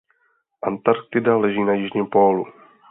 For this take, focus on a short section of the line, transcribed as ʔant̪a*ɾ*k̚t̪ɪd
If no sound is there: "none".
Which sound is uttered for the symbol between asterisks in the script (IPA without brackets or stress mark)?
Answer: ɾ